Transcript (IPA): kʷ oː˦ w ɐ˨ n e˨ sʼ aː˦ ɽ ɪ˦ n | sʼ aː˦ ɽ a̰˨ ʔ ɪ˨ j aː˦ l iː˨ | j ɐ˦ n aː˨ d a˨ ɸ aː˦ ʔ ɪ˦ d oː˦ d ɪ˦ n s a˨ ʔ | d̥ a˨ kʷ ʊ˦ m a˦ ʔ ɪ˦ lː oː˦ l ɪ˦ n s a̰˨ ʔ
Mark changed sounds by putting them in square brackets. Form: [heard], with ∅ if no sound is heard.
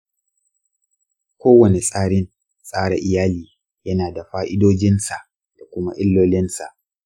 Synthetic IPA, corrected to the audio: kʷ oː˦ w ɐ˨ n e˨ sʼ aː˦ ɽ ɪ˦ n | sʼ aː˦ ɽ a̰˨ ʔ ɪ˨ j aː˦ l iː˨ | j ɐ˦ n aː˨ d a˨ ɸ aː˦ ʔ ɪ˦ d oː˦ [d͡ʒ] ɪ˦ n s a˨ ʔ | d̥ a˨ kʷ ʊ˦ m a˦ ʔ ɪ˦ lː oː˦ l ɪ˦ n s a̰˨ ʔ